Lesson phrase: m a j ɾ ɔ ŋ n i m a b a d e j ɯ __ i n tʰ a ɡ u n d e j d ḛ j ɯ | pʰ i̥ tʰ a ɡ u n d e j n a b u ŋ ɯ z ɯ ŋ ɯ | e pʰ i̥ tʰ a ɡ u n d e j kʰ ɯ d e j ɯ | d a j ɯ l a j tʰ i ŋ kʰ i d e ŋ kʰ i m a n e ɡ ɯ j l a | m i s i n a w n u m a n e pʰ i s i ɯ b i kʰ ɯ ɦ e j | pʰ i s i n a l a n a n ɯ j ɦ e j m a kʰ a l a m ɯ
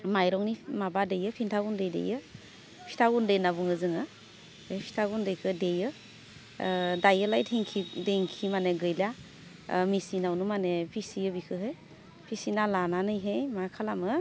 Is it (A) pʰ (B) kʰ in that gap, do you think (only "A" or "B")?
A